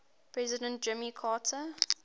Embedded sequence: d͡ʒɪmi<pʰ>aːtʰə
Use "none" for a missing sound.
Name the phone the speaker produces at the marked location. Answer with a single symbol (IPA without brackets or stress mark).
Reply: kʰ